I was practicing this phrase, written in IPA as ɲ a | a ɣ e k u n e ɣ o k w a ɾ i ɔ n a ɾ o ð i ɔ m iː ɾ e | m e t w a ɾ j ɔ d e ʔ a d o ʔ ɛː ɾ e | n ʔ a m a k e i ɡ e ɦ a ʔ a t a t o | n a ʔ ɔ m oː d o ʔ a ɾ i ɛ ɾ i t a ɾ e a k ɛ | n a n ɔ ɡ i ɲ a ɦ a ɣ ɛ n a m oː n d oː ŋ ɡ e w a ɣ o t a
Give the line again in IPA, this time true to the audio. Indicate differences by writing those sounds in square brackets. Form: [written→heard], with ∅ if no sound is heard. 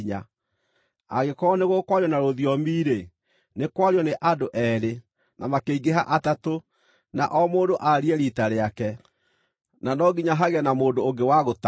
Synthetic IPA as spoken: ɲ a | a ɣ e k [u→ɔ] n e ɣ o k w a ɾ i ɔ n a ɾ o ð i ɔ m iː ɾ e | [m→n] e [t→k] w a ɾ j ɔ [d→n] e ʔ a d o ʔ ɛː ɾ e | n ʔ a m a k e i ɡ e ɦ a ʔ a t a t o | n a ʔ ɔ m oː d o ʔ a ɾ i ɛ ɾ i t a ɾ e a k ɛ | n a n ɔ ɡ i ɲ a ɦ a ɣ ɛ n a m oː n d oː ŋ ɡ e w a ɣ o t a